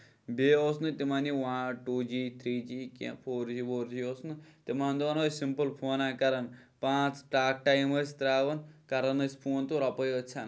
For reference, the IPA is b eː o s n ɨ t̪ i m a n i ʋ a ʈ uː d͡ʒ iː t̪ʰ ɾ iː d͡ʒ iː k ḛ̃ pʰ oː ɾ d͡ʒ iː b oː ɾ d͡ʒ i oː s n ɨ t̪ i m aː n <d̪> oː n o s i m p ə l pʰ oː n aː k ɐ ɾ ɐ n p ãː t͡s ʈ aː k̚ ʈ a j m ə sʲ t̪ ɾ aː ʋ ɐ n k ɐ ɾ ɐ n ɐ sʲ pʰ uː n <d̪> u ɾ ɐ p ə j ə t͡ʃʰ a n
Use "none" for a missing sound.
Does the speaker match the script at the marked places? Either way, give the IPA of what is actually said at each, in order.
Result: d̪, t̪

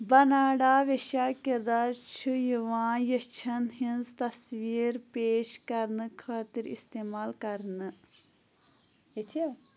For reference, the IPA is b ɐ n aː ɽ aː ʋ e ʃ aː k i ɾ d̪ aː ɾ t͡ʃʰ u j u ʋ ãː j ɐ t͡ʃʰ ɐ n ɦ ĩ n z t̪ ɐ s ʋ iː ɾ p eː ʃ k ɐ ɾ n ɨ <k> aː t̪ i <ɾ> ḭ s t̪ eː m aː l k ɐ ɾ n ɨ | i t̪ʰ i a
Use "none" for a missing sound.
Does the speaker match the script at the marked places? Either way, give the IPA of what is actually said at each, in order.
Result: kʰ, ɾ

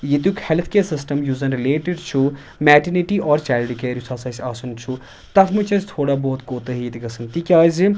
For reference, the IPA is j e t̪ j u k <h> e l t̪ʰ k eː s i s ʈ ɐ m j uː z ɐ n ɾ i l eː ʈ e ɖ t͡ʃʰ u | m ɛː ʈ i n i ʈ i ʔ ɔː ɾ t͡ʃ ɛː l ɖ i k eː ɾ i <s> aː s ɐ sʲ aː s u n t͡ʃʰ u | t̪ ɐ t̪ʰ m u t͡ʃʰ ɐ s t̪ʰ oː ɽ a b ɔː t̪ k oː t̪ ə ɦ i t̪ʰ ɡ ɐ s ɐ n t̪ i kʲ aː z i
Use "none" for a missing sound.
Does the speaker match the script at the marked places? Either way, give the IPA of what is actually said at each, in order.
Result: h, s

